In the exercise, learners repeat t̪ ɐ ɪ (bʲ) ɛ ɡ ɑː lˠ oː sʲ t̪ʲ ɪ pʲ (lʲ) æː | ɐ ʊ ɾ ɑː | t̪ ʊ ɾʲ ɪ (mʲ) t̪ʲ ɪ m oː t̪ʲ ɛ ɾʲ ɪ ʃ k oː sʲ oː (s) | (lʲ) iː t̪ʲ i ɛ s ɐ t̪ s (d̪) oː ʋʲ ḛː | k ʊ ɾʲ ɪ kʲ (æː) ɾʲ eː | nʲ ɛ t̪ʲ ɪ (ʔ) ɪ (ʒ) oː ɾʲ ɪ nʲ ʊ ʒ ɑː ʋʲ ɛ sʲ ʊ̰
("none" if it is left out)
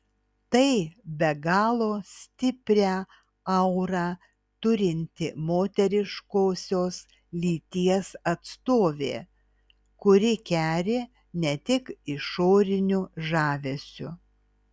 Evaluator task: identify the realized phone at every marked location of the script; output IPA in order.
bʲ, ɾʲ, nʲ, s, lʲ, t̪, æː, k, ʃ

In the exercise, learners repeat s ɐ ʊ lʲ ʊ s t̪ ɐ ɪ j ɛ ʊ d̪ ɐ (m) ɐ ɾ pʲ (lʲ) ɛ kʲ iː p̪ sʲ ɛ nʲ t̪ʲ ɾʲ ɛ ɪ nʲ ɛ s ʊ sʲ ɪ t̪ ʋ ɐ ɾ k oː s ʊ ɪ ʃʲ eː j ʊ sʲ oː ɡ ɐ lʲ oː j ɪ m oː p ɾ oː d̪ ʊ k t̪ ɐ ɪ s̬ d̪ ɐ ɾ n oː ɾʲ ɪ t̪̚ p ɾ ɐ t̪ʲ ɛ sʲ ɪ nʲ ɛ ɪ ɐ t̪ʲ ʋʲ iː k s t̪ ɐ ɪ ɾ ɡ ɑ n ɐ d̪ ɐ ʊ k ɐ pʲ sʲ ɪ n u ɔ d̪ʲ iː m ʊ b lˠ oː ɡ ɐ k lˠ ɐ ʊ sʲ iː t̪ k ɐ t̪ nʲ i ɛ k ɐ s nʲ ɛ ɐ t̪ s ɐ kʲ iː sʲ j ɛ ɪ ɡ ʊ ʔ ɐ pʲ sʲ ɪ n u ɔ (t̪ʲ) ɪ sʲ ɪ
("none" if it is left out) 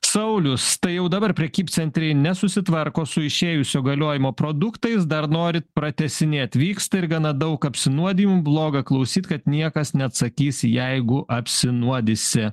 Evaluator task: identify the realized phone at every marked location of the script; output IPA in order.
b, ɾʲ, d̪ʲ

